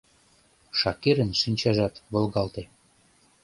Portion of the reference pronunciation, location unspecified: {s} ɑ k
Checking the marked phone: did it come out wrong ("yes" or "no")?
yes